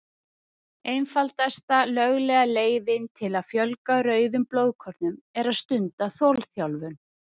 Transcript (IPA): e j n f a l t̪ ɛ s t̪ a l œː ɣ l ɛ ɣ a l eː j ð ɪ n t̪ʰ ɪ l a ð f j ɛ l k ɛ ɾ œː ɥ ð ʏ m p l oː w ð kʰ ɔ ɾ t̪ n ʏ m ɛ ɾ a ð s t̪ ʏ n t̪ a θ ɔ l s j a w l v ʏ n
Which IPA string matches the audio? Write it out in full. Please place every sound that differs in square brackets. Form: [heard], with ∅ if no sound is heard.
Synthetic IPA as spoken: e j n f a l t̪ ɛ s t̪ a l [œ] ɣ l ɛ ɣ a l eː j ð ɪ n t̪ʰ ɪ l a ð f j [œ] l k [a] ɾ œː ɥ ð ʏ m p l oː w ð kʰ ɔ ɾ t̪ n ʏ m ɛ ɾ a ð s t̪ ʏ n t̪ a θ ɔ l [θ] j a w l v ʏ n